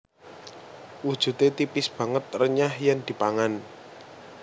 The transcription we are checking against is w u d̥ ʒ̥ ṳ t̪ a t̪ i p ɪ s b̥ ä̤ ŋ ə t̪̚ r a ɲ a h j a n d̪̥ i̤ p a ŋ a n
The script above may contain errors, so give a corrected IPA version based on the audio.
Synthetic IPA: w u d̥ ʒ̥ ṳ t̪ e t̪ i p ɪ s b̥ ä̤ ŋ ə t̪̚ r ə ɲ a h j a n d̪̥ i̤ p a ŋ a n